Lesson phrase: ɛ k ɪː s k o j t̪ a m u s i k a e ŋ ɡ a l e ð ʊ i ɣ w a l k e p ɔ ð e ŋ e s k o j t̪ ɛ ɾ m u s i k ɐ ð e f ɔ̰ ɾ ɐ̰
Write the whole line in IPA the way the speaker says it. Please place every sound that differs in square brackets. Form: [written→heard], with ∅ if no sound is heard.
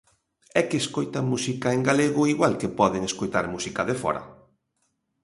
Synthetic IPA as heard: ɛ k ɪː s k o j t̪ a m u s i k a e ŋ ɡ a l e [ð→ɣ] ʊ i ɣ w a l k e p ɔ ð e ŋ e s k o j t̪ [ɛ→a] ɾ m u s i k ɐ ð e f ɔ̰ ɾ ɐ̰